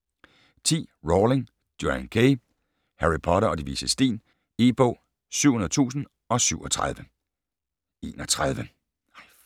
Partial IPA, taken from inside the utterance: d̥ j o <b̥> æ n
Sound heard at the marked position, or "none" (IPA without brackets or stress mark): none